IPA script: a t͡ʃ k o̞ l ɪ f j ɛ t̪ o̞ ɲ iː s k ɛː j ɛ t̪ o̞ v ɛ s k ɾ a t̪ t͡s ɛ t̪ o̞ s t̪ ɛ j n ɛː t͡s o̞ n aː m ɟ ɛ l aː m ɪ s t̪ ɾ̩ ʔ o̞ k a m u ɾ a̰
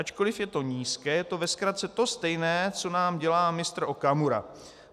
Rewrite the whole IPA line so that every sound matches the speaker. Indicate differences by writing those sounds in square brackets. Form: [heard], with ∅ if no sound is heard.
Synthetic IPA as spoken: a t͡ʃ k o̞ l ɪ f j ɛ t̪ o̞ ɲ iː s k ɛː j ɛ t̪ o̞ v ɛ s k ɾ a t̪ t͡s ɛ t̪ o̞ s t̪ ɛ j n ɛː t͡s o̞ n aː m ɟ ɛ l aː m ɪ s t̪ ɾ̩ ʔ o̞ k a m u ɾ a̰